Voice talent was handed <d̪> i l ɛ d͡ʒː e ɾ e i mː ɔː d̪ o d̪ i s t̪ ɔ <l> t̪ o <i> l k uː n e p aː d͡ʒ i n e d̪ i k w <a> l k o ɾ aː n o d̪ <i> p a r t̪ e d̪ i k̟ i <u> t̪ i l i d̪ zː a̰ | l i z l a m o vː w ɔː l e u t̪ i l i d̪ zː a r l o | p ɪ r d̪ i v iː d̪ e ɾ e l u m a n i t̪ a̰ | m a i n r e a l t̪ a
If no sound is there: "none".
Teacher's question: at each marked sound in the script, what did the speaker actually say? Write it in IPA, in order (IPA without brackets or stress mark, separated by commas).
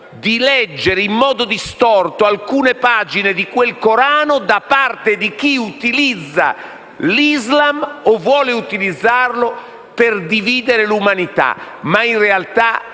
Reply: d̪, r, a, e, a, u